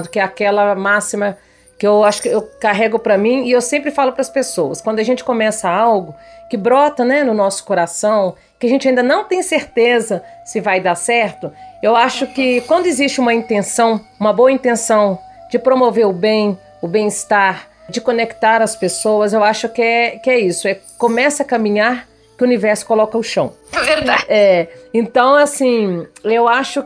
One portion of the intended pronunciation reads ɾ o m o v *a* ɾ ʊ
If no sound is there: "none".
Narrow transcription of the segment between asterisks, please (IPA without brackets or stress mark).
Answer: e